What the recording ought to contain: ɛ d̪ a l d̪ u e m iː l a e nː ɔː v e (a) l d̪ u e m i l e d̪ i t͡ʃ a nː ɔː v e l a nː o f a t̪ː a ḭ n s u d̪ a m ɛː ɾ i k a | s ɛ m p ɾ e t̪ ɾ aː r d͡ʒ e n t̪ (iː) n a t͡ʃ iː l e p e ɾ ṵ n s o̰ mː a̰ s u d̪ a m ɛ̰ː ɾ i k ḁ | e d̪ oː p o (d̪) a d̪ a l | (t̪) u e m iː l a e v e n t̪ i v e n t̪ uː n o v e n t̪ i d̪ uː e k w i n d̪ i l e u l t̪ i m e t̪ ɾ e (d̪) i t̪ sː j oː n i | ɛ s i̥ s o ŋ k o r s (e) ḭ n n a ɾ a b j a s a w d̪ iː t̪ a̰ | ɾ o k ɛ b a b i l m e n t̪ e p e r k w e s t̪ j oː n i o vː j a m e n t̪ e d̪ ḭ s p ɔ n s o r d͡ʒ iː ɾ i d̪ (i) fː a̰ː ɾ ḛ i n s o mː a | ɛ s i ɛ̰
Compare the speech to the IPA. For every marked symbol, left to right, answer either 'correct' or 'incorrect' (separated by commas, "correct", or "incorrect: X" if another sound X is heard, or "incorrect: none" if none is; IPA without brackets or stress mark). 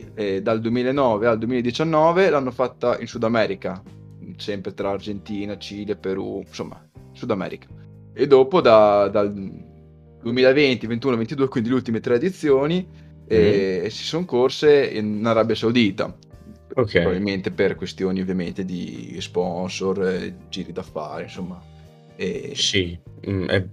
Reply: correct, correct, correct, incorrect: d̪, correct, correct, incorrect: a